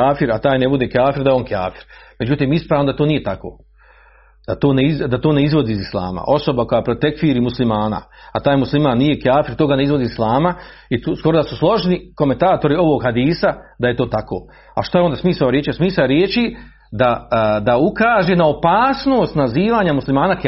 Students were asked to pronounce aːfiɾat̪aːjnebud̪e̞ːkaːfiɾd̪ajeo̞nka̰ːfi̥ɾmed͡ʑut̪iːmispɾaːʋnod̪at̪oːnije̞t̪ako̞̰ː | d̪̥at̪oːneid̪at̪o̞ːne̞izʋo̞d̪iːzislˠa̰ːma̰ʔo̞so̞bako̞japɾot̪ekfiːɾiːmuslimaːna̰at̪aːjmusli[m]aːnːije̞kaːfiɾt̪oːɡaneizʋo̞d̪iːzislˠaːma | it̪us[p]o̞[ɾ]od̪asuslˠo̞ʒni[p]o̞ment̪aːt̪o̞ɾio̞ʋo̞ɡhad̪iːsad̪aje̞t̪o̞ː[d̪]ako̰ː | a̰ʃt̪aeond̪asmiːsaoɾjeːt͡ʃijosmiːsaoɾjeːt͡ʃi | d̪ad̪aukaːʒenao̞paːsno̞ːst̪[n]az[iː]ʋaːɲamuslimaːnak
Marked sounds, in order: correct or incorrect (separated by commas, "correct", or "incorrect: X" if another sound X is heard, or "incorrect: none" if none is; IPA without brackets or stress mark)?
correct, incorrect: k, correct, incorrect: k, incorrect: t̪, correct, correct